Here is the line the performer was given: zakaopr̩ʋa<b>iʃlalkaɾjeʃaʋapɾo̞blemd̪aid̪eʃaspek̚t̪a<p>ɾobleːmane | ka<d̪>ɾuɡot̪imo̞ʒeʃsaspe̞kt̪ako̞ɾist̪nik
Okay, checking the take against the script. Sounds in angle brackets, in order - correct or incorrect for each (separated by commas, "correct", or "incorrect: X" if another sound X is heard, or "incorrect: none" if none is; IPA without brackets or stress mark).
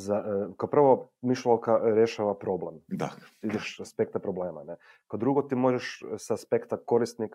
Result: incorrect: m, correct, correct